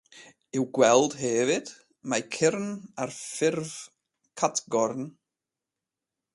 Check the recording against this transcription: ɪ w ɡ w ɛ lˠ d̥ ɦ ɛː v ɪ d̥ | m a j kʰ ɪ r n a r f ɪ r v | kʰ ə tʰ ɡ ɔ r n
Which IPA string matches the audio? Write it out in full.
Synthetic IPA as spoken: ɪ w ɡ w ɛ lˠ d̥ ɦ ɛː v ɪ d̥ | m a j kʰ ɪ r n a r f ɪ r v | kʰ a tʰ ɡ ɔ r n